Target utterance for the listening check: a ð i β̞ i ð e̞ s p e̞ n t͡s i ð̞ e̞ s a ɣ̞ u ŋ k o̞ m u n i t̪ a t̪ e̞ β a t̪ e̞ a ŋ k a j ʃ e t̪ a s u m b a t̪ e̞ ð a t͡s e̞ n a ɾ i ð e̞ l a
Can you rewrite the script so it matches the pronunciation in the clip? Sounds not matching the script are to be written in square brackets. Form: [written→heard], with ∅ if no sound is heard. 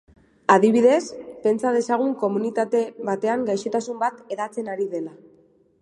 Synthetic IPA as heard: a ð i β̞ i ð e̞ s p e̞ n t͡s [i→a] ð̞ e̞ s a ɣ̞ u ŋ k o̞ m u n i t̪ a t̪ e̞ β a t̪ e̞ a ŋ [k→ɡ] a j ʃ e t̪ a s u m b a t̪ e̞ ð a t͡s e̞ n a ɾ i ð e̞ l a